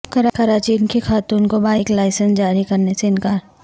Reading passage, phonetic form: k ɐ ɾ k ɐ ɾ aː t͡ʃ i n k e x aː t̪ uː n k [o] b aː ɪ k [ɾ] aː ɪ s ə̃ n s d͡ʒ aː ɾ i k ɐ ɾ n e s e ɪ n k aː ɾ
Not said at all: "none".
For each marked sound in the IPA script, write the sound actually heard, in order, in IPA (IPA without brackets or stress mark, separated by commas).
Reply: o, l